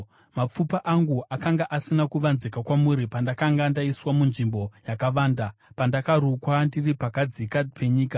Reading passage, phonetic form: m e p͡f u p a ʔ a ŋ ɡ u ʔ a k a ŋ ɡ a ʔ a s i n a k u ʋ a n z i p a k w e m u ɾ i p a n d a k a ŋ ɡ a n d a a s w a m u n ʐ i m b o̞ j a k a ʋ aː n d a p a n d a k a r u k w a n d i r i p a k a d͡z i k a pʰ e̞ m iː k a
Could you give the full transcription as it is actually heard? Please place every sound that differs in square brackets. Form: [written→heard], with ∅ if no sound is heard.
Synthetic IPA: m [e→a] p͡f u p a ʔ a ŋ ɡ u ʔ a k a ŋ ɡ a ʔ a s i n a k u ʋ a n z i [p→k] a k w [e→a] m u ɾ i p a n d a k a ŋ ɡ a n d a [a→i] s w a m u n ʐ i m b o̞ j a k a ʋ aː n d a p a n d a k a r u k w a n d i r i p a k a d͡z i k a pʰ e̞ [m→ɲ] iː k a

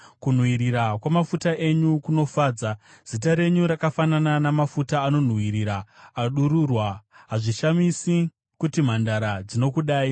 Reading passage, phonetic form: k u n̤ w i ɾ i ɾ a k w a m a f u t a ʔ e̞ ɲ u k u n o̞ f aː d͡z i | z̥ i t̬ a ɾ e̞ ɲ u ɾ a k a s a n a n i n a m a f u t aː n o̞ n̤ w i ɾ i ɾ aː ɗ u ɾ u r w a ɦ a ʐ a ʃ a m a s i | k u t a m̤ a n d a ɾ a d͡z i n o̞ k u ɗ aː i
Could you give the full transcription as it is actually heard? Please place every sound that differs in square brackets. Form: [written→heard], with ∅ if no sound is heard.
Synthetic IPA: k u n̤ w i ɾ i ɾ a k w a m a f u t a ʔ e̞ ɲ u k u n o̞ f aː d͡z [i→a] | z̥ i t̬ a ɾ e̞ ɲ u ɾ a k a [s→f] a n a n [i→a] n a m a f u t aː n o̞ n̤ w i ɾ i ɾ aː ɗ u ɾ u r w a ɦ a ʐ [a→i] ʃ a m [a→i] s i | k u t [a→i] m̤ a n d a ɾ a d͡z i n o̞ k u ɗ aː i

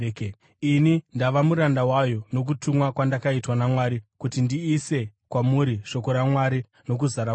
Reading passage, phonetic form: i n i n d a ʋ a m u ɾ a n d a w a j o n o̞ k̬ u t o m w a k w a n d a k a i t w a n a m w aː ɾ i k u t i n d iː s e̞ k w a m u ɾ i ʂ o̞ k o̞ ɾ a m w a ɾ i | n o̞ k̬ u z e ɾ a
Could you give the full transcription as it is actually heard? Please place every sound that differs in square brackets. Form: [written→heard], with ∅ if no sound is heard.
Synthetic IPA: i n i n d a ʋ a m u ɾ a n d a w a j o n o̞ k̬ u t [o→u] m w a k w a n d a k a i t w a n a m w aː ɾ i k u t i n d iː s e̞ k w a m u ɾ i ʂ o̞ k o̞ ɾ a m w a ɾ i | n o̞ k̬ u z [e→a] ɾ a

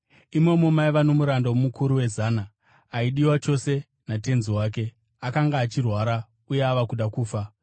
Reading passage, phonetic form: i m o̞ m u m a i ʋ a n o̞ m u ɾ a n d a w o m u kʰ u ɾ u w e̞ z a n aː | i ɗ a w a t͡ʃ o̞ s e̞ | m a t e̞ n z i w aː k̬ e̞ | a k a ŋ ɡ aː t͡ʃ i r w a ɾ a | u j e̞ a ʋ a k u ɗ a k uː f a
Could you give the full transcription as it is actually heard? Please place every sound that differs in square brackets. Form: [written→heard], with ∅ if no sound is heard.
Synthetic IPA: i m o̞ m [u→o] m a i ʋ a n o̞ m u ɾ a n d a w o m u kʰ u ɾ u w e̞ z a n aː | i ɗ [a→i] w a t͡ʃ o̞ s e̞ | [m→n] a t e̞ n z i w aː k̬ e̞ | a k a ŋ ɡ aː t͡ʃ i r w a ɾ a | u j e̞ a ʋ a k u ɗ a k uː f a

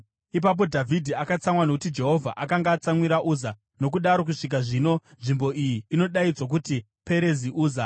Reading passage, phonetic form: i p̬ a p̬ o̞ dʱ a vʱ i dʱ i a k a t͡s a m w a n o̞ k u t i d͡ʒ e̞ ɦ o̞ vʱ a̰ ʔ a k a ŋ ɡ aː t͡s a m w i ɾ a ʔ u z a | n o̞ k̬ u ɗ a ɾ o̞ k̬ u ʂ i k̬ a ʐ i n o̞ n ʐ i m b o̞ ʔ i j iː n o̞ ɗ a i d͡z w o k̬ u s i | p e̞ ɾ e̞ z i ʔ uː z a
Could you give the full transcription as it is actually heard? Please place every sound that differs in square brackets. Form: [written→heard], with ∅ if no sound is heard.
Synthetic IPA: i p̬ a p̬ o̞ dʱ a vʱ i dʱ i a k a t͡s a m w a n o̞ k u t i d͡ʒ e̞ ɦ o̞ vʱ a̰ ʔ a k a ŋ ɡ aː t͡s a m w i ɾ a ʔ u z a | n o̞ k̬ u ɗ a ɾ o̞ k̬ u ʂ i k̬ a ʐ i n o̞ n ʐ i m b o̞ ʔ i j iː n o̞ ɗ a i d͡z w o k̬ u [s→t] i | p e̞ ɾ e̞ z i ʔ uː z a

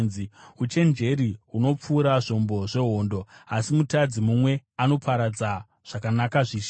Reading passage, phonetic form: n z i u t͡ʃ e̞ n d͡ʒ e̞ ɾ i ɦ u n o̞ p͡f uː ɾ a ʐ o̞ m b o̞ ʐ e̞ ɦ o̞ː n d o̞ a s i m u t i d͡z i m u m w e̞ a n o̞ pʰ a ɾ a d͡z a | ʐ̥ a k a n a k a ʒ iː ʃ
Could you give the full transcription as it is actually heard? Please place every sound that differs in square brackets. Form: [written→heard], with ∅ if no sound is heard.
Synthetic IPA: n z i u t͡ʃ e̞ n d͡ʒ e̞ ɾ i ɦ u n o̞ p͡f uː ɾ a ʐ o̞ m b o̞ ʐ e̞ ɦ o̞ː n d o̞ a s i m u t [i→a] d͡z i m u m w e̞ a n o̞ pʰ a ɾ a d͡z a | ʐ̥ a k a n a k a [ʒ→ʐ] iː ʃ

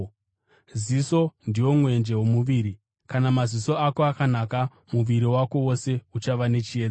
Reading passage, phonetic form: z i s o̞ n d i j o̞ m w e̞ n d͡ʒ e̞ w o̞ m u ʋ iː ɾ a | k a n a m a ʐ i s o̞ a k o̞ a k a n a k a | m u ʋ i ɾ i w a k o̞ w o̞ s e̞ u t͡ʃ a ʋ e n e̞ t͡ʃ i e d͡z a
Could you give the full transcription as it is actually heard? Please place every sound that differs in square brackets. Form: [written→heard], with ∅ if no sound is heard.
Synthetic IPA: z i s o̞ n d i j o̞ m w e̞ n d͡ʒ e̞ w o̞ m u ʋ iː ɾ [a→i] | k a n a m a [ʐ→z] i s o̞ a k o̞ a k a n a k a | m u ʋ i ɾ i w a k o̞ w o̞ s e̞ u t͡ʃ a ʋ [e→a] n e̞ t͡ʃ i e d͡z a

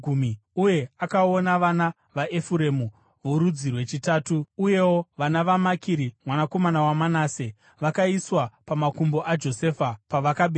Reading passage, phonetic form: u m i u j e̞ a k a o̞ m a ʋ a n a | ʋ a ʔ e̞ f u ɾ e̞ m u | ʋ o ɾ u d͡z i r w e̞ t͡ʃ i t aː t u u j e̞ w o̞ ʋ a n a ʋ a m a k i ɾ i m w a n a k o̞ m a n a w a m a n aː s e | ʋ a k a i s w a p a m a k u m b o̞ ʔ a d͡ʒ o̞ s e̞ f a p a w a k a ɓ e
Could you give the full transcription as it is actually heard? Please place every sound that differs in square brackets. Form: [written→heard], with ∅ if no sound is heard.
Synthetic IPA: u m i u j e̞ a k a o̞ [m→n] a ʋ a n a | ʋ a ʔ e̞ f u ɾ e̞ m u | ʋ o ɾ u d͡z i r w e̞ t͡ʃ i t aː t u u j e̞ w o̞ ʋ a n a ʋ a m a k i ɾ i m w a n a k o̞ m a n a w a m a n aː s e | ʋ a k a i s w a p a m a k u m b o̞ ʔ a d͡ʒ o̞ s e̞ f a p a [w→ʋ] a k a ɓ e

